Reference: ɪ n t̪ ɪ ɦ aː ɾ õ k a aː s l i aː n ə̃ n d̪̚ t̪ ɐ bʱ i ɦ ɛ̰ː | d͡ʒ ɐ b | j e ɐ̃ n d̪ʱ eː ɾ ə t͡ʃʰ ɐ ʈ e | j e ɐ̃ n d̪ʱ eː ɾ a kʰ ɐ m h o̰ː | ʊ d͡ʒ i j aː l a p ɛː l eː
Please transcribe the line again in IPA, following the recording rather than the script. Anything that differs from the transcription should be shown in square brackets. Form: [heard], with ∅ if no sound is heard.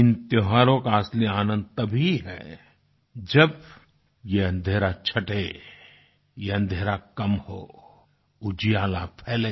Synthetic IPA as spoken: ɪ n t̪ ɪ ɦ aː ɾ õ k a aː s l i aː n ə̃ n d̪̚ t̪ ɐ bʱ i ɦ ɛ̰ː | d͡ʒ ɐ b | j e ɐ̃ n d̪ʱ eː ɾ [a] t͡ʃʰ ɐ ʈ e | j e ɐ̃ n d̪ʱ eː ɾ a [k] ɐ m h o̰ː | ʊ d͡ʒ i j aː l a [pʰ] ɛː l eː